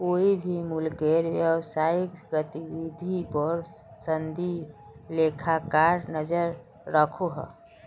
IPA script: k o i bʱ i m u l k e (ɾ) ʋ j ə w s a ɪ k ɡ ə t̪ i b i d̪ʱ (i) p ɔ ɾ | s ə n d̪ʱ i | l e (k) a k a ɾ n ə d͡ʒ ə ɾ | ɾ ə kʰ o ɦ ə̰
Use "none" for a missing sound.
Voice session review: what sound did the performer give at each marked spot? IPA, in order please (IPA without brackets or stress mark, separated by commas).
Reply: ɾ, i, kʰ